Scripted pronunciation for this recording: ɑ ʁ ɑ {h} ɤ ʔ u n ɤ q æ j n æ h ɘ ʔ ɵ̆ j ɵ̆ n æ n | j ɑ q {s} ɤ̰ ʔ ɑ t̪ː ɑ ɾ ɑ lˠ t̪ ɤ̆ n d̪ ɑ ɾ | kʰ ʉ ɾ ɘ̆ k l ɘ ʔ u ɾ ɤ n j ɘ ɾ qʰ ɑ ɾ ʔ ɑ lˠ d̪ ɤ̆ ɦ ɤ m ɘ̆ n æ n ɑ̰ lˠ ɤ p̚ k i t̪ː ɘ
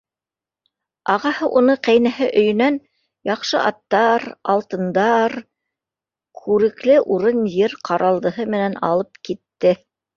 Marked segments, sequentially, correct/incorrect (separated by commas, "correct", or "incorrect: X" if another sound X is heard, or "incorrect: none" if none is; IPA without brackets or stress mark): correct, incorrect: ʃ